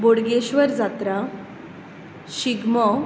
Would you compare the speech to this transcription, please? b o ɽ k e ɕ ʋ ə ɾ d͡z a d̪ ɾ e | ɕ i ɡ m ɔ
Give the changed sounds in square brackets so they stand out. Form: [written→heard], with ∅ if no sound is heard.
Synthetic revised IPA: b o ɽ [k→ɡ] e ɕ ʋ ə ɾ d͡z a [d̪→t̪] ɾ [e→a] | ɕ i ɡ m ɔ